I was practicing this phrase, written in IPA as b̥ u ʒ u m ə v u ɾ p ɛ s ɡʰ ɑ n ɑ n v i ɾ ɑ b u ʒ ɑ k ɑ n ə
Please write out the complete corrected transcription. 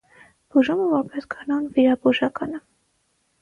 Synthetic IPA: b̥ u ʒ u m ə v ɔ ɾ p ɛ s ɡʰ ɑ n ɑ n v i ɾ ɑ b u ʒ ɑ k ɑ n ə